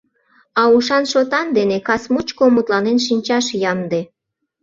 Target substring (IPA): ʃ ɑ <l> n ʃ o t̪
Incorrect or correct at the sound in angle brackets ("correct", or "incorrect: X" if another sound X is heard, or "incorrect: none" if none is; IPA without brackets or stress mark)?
incorrect: none